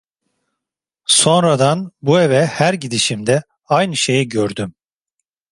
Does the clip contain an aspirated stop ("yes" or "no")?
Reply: no